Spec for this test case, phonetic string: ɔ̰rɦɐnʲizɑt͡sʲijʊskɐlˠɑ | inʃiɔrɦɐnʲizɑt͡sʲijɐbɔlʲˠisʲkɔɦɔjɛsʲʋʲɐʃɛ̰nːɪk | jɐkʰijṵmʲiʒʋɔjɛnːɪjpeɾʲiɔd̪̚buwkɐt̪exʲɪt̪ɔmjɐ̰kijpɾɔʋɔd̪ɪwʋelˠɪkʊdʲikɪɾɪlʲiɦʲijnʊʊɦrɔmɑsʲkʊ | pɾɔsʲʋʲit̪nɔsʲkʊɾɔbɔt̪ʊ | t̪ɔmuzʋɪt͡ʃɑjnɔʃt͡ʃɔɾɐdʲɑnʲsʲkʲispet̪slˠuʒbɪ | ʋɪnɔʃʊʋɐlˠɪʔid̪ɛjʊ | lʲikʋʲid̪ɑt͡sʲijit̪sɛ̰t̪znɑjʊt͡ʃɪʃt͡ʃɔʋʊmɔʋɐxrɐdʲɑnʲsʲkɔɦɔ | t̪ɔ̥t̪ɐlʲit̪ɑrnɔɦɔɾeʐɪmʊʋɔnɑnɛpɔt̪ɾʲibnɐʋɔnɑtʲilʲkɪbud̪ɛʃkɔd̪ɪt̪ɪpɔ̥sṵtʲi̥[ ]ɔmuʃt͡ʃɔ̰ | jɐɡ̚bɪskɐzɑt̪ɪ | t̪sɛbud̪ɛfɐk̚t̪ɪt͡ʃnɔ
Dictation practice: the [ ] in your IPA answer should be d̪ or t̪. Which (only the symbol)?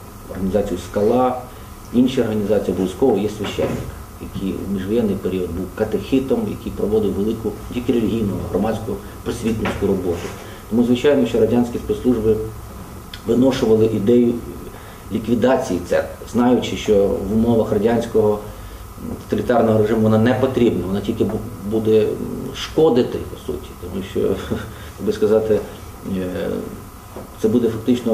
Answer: t̪